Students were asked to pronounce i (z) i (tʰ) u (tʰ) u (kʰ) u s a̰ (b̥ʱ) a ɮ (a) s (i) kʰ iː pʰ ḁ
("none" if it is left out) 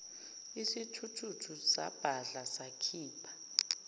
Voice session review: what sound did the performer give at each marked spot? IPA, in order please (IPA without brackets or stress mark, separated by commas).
s, tʰ, tʰ, tʰ, b̥ʱ, a, a